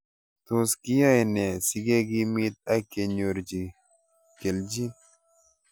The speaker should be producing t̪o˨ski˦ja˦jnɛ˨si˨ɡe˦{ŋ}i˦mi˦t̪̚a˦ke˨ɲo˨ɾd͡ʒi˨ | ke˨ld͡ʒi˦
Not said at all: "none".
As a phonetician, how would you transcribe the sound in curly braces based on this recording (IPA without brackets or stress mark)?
ɡ